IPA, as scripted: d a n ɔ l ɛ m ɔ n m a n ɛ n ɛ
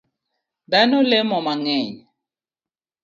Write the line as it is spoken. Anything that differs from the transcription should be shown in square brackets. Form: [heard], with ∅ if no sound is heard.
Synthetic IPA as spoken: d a n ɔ l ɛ m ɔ [∅] m a [ŋ] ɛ [ɲ] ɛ